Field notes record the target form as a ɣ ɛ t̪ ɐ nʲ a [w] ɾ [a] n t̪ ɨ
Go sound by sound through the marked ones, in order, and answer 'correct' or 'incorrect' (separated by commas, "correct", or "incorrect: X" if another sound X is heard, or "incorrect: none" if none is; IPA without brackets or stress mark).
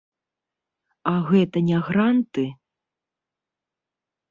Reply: incorrect: ɣ, correct